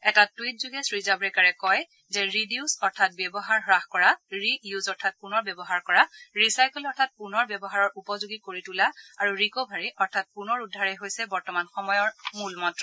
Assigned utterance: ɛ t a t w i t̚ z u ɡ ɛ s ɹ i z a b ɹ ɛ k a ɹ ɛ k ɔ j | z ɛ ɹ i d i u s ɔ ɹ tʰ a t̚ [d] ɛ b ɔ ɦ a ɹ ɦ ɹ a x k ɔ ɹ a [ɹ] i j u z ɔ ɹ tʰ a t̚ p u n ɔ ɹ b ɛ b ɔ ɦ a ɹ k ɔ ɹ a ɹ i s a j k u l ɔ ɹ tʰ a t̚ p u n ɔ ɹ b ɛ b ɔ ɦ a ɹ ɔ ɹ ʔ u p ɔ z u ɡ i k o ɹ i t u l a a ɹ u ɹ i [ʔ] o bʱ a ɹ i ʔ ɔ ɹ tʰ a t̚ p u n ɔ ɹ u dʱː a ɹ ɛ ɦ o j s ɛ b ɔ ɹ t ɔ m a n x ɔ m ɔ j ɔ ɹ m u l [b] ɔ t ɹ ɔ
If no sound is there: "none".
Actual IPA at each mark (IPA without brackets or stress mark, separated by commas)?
b, ɹ, k, m